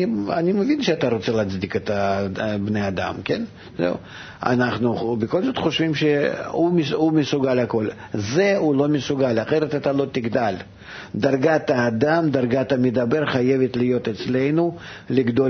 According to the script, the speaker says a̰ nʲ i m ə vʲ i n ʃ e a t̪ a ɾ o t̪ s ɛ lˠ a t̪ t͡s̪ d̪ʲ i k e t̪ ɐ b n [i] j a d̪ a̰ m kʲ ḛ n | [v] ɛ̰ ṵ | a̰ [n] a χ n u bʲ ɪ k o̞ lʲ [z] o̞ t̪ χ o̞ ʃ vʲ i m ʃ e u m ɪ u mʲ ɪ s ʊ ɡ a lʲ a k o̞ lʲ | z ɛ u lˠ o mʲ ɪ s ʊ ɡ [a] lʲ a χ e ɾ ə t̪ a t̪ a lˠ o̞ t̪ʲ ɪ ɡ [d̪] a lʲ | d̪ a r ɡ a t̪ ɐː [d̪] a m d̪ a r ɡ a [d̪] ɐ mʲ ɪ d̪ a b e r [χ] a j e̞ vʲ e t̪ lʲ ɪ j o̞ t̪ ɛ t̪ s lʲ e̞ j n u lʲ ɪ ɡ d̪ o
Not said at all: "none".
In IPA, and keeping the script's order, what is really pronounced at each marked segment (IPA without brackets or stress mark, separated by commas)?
e, z, n, z, a, d̪, d̪, t̪, χ